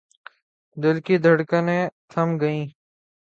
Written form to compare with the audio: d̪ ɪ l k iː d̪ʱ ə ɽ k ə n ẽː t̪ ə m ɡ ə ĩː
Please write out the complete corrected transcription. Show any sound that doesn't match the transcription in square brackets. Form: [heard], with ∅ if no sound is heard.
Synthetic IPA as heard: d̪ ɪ l k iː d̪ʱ ə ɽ k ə n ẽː [t̪ʰ] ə m ɡ ə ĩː